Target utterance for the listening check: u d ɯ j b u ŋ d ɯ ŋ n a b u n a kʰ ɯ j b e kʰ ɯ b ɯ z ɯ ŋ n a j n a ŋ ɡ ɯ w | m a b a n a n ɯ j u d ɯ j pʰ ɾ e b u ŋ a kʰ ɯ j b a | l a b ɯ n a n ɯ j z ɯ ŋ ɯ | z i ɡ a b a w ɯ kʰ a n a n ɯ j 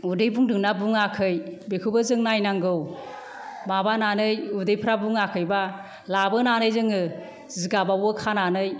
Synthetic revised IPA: u d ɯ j b u ŋ d ɯ ŋ n a b u ŋ a kʰ ɯ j b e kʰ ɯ b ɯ z ɯ ŋ n a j n a ŋ ɡ ɯ w | m a b a n a n ɯ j u d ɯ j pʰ ɾ a b u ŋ a kʰ ɯ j b a | l a b ɯ n a n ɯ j z ɯ ŋ ɯ | z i ɡ a b a w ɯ kʰ a n a n ɯ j